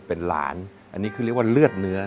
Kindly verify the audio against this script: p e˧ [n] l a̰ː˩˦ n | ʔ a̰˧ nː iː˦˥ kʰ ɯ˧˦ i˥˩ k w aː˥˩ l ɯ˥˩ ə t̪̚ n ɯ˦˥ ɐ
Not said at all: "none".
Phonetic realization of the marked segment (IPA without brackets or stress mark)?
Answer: n